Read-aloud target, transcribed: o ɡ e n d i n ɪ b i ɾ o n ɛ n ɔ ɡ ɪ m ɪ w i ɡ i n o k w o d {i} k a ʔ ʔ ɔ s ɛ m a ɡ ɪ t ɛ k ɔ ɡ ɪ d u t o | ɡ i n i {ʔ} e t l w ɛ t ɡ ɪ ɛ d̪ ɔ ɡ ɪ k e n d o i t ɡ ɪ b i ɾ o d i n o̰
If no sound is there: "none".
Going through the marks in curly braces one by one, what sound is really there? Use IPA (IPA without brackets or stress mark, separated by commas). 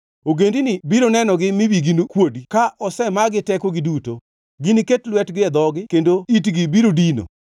i, k